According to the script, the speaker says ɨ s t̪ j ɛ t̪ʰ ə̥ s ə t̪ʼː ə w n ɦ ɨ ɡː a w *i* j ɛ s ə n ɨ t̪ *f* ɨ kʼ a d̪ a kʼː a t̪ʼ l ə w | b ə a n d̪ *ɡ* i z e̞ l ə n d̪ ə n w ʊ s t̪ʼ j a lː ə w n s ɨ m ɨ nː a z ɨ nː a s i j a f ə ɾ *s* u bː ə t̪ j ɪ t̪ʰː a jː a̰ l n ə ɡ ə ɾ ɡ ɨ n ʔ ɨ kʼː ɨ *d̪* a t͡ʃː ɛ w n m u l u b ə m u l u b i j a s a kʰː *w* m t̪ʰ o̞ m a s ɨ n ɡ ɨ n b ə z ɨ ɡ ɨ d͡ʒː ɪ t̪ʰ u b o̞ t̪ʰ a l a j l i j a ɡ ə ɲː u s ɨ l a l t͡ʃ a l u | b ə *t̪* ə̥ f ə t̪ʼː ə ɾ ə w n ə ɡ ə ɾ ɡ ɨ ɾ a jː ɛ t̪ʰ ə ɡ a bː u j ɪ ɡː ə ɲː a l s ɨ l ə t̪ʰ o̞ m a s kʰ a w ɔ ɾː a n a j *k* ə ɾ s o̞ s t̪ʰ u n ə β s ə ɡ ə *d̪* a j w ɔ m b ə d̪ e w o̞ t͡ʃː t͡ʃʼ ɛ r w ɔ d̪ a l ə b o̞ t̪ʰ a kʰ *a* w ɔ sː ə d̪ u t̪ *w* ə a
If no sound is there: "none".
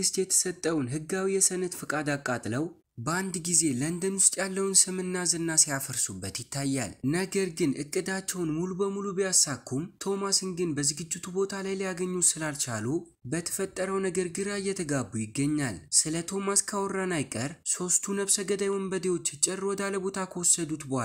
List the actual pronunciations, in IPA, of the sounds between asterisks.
i, f, ɡ, s, d̪, u, t̪ʰ, kʼ, d̪, ə, b

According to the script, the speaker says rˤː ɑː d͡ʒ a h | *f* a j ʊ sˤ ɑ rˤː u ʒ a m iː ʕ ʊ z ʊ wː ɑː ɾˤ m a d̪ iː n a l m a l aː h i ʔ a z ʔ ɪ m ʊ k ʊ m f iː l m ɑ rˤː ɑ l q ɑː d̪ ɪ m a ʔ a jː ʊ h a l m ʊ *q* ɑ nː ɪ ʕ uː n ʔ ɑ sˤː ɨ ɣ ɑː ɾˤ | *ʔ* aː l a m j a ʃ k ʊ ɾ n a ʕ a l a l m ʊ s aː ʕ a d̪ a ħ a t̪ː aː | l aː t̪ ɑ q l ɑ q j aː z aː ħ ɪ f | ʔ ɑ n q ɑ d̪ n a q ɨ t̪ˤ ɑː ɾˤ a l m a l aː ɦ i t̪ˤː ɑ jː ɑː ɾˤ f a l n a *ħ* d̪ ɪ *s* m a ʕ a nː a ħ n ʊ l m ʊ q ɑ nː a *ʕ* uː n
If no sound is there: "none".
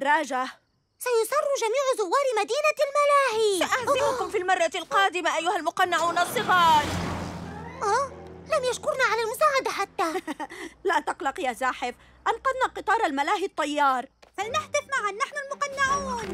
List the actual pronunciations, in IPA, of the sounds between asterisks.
s, q, ʔ, ħ, f, ʕ

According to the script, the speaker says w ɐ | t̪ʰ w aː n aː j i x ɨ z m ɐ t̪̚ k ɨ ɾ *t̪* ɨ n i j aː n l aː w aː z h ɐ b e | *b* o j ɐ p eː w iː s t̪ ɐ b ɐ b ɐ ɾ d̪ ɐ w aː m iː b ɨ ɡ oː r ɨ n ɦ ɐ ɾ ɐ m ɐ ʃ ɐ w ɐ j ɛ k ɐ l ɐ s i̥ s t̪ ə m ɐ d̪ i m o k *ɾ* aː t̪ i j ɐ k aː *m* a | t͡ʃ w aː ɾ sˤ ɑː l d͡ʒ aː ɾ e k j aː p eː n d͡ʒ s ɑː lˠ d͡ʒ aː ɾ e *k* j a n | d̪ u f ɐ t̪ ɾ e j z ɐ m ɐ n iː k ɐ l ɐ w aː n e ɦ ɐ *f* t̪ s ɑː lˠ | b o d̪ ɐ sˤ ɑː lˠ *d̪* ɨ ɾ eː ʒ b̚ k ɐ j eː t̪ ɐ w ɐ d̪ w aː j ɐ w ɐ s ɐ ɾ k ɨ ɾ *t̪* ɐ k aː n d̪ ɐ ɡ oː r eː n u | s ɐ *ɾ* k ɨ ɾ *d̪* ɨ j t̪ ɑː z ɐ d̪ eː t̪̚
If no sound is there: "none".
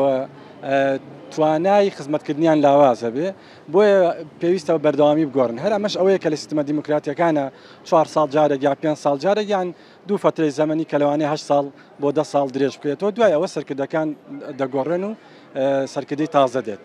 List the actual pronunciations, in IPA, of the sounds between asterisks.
d̪, b, ɾ, n, k, ʃ, d̪, d̪, ɾ, d̪

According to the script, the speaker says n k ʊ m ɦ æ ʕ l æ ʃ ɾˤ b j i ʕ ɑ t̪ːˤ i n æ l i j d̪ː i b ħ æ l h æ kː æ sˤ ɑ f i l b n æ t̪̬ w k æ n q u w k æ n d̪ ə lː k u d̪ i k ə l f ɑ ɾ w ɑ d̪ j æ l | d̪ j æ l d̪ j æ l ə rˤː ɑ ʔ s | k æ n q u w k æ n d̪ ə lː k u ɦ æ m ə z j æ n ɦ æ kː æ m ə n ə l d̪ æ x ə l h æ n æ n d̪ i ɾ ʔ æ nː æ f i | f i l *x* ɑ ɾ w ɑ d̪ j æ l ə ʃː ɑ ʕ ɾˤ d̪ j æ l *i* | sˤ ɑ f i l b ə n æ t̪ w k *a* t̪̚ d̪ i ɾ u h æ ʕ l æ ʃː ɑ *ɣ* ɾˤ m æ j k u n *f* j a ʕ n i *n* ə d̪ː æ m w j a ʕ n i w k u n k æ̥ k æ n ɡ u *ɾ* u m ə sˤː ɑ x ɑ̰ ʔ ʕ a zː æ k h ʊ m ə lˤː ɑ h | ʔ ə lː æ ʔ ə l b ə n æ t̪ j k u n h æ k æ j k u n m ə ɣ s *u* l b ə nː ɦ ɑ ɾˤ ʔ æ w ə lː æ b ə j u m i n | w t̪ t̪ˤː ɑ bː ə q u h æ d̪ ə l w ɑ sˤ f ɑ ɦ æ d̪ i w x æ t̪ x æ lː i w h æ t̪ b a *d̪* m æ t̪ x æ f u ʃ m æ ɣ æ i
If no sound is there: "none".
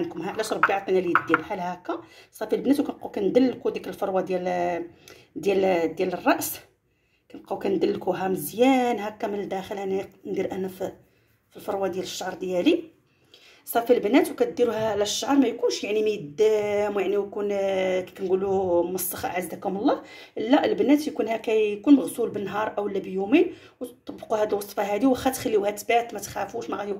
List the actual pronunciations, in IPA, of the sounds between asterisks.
f, i, æ, ʕ, ʃ, m, l, u, t̪

